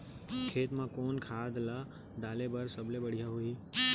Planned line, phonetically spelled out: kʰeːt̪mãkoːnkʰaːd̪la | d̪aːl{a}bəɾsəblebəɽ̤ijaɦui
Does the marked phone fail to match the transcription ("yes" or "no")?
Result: yes